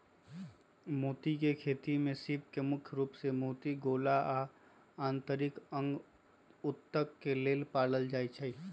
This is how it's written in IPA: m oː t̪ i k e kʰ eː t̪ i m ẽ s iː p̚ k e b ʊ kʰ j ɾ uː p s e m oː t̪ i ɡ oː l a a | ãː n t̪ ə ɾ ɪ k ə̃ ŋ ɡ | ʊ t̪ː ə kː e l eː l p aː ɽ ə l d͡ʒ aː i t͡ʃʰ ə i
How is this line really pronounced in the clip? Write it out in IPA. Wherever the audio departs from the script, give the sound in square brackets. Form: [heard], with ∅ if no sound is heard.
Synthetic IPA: m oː t̪ i k e kʰ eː t̪ i m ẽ s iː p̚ k e [m] ʊ kʰ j ɾ uː p s e m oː t̪ i ɡ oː l a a | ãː n t̪ ə ɾ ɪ k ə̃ ŋ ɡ | ʊ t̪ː ə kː e l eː l p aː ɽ ə l d͡ʒ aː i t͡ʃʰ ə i